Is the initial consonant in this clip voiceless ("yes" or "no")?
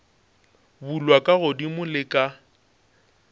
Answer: no